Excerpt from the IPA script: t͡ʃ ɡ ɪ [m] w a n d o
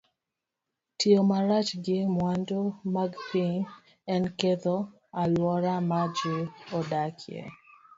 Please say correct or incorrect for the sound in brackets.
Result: correct